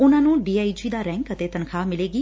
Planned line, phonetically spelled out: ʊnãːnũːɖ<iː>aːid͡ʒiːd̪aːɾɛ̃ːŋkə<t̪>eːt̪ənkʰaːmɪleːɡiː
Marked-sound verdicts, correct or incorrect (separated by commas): correct, correct